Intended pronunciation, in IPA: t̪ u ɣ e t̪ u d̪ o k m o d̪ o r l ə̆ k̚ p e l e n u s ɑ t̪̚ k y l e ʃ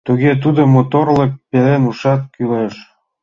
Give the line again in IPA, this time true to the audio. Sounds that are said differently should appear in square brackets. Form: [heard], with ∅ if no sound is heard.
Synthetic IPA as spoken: t̪ u ɣ e t̪ u d̪ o [∅] m o [t̪] o r l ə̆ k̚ p e l e n u [ʃ] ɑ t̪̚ k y l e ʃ